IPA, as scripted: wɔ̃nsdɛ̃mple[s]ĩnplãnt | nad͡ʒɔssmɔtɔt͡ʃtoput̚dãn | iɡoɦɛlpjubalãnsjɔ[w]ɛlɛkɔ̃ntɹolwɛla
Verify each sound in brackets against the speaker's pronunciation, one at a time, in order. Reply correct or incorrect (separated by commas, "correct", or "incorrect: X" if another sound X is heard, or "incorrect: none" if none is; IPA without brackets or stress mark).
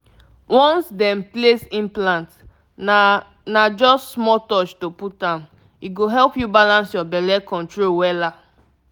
correct, incorrect: b